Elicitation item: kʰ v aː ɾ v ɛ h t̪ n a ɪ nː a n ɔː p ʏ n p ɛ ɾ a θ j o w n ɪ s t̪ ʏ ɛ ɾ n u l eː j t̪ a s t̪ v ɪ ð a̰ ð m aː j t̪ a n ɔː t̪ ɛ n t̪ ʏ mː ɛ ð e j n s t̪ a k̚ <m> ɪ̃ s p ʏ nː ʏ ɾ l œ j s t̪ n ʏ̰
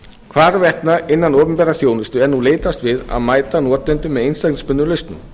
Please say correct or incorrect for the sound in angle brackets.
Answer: incorrect